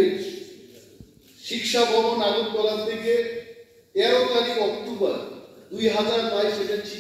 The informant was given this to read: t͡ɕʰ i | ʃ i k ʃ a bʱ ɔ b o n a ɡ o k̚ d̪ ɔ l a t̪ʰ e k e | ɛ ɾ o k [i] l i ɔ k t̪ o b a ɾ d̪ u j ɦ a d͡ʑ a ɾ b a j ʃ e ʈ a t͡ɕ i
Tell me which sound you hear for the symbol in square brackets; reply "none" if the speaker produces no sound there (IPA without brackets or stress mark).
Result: a